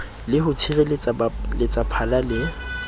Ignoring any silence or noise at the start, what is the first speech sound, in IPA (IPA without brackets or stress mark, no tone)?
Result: l